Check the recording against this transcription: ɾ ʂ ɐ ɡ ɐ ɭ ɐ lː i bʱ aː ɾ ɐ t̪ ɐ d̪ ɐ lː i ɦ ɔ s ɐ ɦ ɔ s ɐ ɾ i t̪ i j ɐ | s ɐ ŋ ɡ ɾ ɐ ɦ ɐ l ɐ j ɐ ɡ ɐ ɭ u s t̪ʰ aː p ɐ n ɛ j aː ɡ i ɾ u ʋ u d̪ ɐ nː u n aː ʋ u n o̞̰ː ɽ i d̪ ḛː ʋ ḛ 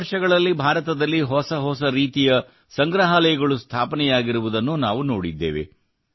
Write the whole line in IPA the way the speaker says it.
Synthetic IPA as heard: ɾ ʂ ɐ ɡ ɐ ɭ ɐ lː i bʱ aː ɾ ɐ t̪ ɐ d̪ ɐ lː i ɦ ɔ s ɐ ɦ ɔ s ɐ ɾ iː t̪ i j ɐ | s ɐ ŋ ɡ ɾ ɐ ɦ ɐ l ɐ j ɐ ɡ ɐ ɭ u s t̪ʰ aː p ɐ n ɛ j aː ɡ i ɾ u ʋ u d̪ ɐ nː u n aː ʋ u n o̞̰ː ɽ i d̪ː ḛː ʋ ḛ

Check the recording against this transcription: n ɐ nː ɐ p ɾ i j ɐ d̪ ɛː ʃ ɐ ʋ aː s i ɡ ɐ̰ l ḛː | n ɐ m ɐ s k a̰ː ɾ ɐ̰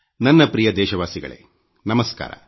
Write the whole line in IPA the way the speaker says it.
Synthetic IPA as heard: n ɐ nː ɐ p ɾ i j ɐ d̪ ɛː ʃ ɐ ʋ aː s i ɡ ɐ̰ ɭ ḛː | n ɐ m ɐ s k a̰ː ɾ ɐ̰

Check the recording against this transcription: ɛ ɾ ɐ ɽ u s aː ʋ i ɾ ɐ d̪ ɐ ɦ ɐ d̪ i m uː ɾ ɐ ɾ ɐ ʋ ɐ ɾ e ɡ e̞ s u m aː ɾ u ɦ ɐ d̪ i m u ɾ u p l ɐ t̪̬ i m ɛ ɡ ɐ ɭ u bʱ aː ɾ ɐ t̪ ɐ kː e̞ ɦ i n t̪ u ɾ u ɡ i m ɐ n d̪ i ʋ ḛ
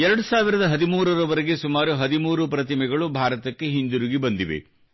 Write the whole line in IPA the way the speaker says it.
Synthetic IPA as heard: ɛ ɾ ɐ ɽ u s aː ʋ i ɾ ɐ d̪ ɐ ɦ ɐ d̪ i m uː ɾ ɐ ɾ ɐ ʋ ɐ ɾ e ɡ e̞ s u m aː ɾ u ɦ ɐ d̪ i m uː ɾ u p ɾ ɐ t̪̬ i m ɛ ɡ ɐ ɭ u bʱ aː ɾ ɐ t̪ ɐ kː e̞ ɦ i n d̪ u ɾ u ɡ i b ɐ n d̪ i ʋ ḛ

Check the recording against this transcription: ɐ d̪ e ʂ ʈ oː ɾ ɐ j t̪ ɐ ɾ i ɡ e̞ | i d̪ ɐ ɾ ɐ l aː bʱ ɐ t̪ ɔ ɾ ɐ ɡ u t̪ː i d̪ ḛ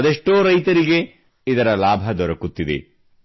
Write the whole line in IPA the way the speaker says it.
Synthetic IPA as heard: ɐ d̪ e ʂ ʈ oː ɾ ɐ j t̪ ɐ ɾ i ɡ e̞ | i d̪ ɐ ɾ ɐ l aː bʱ ɐ d̪ ɔ ɾ ɐ k u t̪ː i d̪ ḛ

